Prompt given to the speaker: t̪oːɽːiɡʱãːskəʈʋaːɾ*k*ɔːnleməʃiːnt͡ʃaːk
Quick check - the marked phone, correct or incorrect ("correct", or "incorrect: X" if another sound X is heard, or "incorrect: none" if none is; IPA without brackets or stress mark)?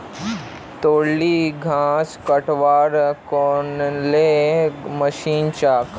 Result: correct